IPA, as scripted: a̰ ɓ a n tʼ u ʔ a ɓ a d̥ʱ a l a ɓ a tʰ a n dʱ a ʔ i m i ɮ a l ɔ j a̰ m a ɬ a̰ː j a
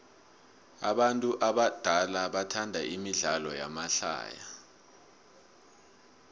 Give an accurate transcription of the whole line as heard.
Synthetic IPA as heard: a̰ ɓ a n tʼ u ʔ a ɓ a d̥ʱ a l a ɓ a tʰ a n dʱ a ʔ i m i ɮ a l ɔ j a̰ m a ɬ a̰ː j a

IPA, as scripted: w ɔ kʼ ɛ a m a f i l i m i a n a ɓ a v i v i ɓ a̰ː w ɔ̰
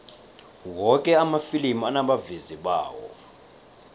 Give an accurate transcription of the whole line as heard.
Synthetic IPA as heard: w ɔ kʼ ɛ a m a f i l i m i a n a ɓ a v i z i ɓ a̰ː w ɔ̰

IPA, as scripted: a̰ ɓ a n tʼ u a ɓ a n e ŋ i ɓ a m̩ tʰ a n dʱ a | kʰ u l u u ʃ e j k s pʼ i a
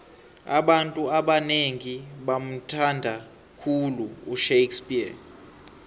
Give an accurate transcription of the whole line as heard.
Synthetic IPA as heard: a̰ ɓ a n tʼ u a ɓ a n e ŋ i ɓ a m̩ tʰ a n dʱ a | kʰ u l u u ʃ e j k s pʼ i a

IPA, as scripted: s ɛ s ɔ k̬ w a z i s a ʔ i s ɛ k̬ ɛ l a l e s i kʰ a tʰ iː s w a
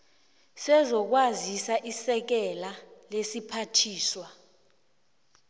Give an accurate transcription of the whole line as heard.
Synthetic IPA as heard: s ɛ z ɔ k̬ w a z i s a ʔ i s ɛ k̬ ɛ l a l e s i pʰ a tʰ iː s w a

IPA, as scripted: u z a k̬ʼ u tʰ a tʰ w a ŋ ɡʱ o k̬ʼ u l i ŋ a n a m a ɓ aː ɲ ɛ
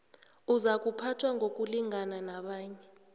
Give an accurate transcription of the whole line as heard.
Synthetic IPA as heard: u z a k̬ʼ u pʰ a tʰ w a ŋ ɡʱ o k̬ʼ u l i ŋ a n a n a ɓ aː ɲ ɛ

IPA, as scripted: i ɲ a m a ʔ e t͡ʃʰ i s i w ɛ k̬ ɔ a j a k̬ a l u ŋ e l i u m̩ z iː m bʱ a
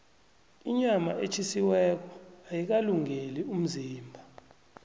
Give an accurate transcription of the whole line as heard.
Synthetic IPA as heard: i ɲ a m a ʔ e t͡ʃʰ i s i w ɛ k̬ ɔ a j i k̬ a l u ŋ e l i u m̩ z iː m bʱ a

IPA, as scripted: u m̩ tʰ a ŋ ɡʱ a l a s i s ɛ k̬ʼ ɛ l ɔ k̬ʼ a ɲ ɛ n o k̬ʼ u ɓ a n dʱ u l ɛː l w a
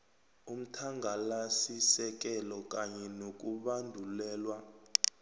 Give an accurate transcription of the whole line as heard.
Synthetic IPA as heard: u m̩ tʰ a ŋ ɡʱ a l a s i s ɛ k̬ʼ ɛ l ɔ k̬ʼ a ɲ ɛ n o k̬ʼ u ɓ a n dʱ u l ɛː l w a

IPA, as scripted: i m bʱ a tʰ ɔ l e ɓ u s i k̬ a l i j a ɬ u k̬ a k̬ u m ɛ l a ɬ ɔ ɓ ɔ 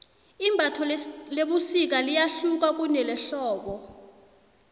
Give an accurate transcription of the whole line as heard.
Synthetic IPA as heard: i m bʱ a tʰ ɔ l e ɓ u s i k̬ a l i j a ɬ u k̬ a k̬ u n ɛ l ɛ ɬ ɔː ɓ ɔ

